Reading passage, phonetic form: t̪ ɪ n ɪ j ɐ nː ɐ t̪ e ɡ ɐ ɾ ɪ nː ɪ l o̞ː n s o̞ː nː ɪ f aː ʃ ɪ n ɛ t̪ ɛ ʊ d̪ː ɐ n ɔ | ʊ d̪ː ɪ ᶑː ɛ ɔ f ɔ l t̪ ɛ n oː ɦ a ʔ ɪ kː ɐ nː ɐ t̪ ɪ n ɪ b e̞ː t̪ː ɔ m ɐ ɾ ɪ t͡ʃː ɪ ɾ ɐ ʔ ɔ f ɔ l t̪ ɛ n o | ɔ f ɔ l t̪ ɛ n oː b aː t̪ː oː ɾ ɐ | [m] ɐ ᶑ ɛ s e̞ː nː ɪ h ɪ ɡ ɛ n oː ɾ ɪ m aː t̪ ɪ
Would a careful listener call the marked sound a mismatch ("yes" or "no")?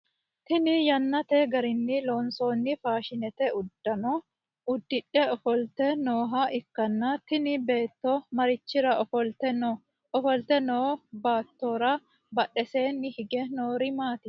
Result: yes